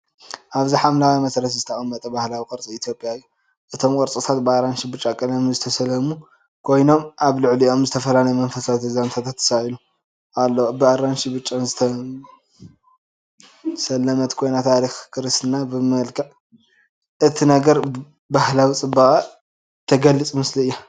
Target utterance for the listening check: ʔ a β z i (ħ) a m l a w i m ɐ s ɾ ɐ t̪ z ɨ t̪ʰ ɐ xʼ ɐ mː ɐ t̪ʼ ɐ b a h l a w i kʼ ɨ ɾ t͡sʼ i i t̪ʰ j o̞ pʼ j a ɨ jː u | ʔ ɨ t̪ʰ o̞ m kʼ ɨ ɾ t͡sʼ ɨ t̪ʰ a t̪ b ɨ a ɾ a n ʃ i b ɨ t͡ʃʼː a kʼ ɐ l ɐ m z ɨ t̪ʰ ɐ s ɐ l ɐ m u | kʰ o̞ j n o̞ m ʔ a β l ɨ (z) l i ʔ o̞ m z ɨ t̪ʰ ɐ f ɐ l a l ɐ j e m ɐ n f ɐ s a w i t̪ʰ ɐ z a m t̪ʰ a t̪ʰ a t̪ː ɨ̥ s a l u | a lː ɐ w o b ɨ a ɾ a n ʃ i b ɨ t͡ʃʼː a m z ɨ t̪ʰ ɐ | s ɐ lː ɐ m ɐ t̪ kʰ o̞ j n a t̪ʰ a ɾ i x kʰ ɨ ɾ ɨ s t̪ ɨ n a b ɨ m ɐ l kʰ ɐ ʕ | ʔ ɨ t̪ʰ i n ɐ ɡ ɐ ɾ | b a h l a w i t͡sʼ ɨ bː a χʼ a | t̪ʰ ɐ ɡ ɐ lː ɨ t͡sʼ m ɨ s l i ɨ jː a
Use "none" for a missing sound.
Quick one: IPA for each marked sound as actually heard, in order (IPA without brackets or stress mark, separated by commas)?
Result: ħ, ʕ